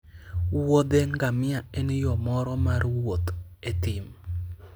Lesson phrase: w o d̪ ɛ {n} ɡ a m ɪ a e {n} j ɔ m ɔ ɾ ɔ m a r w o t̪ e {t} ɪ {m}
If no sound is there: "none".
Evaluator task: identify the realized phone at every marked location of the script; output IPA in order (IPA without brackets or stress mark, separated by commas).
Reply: ŋ, n, t, m